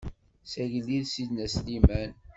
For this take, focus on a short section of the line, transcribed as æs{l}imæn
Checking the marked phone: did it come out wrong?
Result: no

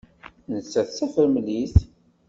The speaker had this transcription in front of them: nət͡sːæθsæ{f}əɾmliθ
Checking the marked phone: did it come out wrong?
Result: no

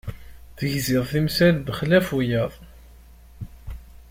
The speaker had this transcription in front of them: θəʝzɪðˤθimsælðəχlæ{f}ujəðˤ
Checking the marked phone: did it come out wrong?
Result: no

